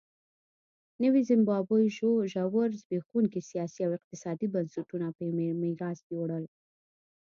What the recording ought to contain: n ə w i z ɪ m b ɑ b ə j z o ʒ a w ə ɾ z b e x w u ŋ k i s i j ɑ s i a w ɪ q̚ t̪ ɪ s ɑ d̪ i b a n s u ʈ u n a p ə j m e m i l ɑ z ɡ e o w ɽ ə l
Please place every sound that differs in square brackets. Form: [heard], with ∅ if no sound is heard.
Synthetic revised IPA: n ə w i z ɪ m b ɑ b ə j [ʒ] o ʒ a w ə ɾ z b e x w u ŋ k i s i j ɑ s i a w ɪ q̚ t̪ ɪ s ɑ d̪ i b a n s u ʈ u n a p ə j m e m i [ɾ] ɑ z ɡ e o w ɽ ə l

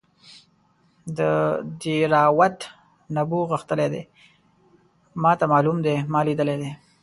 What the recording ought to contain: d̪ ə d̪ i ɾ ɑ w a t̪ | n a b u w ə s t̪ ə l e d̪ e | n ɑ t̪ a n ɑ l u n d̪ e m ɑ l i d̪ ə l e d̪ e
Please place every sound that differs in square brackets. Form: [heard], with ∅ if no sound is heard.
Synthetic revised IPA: d̪ ə d̪ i ɾ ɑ w a t̪ | n a b u [ɣ] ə [x] t̪ ə l e d̪ e | [m] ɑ t̪ a [m] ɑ l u [m] d̪ e m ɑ l i d̪ ə l e d̪ e

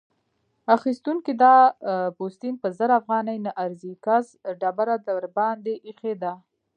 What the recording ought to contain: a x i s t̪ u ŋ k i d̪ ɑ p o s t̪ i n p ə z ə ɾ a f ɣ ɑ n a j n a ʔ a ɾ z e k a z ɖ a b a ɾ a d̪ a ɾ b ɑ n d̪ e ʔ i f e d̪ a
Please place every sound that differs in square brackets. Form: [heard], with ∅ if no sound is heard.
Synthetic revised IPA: a x i s t̪ u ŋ k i d̪ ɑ p o s t̪ i n p ə z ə ɾ a f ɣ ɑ n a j n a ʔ a ɾ z [i] k a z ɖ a b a ɾ a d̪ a ɾ b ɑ n d̪ e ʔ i [x] e d̪ a

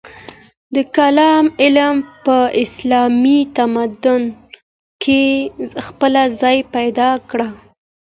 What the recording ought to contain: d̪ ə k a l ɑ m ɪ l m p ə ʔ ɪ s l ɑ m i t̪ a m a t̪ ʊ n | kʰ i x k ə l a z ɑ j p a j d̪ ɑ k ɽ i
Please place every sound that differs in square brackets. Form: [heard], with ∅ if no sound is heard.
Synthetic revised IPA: d̪ ə k a l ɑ m ɪ l m p ə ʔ ɪ s l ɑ m i t̪ a m a [d̪] ʊ n | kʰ [e] x [p] ə l a z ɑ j p a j d̪ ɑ k ɽ [a]

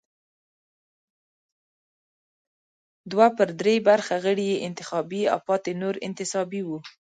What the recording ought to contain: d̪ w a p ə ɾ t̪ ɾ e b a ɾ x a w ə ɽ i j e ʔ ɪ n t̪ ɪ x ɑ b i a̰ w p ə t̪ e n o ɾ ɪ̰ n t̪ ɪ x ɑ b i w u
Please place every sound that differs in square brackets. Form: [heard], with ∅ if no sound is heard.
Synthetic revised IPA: d̪ w a p ə ɾ [d̪] ɾ e b a ɾ x a [ɣ] ə ɽ i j e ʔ ɪ n t̪ ɪ x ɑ b i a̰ w p [ɑ] t̪ e n o ɾ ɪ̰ n t̪ ɪ [s] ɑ b i w u

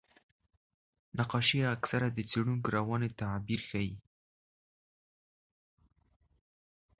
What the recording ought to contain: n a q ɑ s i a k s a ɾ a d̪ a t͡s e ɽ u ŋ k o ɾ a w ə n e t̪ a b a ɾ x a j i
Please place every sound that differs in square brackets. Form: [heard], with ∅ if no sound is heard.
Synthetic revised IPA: n a q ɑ [ʃ] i a k s a ɾ a d̪ [ə] t͡s e ɽ u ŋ k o ɾ a w [ɑ] n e t̪ a b [i] ɾ x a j i

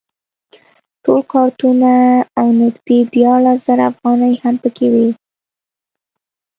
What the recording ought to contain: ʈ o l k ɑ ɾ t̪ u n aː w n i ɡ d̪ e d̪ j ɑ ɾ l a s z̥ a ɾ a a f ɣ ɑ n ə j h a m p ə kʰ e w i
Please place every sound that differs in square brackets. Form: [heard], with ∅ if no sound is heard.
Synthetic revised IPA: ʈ o l k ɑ ɾ t̪ u n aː w n [ɪ] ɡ d̪ e d̪ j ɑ ɾ l a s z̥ a ɾ a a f ɣ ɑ n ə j h a m p ə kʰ e w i

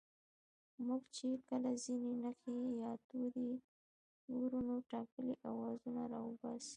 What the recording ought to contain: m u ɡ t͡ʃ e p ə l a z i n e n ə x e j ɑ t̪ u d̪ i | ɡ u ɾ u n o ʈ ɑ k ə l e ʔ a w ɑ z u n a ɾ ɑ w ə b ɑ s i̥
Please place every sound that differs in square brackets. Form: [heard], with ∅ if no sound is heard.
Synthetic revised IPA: m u ɡ t͡ʃ e [k] ə l a z i n e n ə x e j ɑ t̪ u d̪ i | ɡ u ɾ u n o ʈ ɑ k ə l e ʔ a w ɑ z u n a ɾ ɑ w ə b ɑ s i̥

